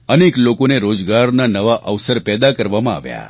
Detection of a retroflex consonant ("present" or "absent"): absent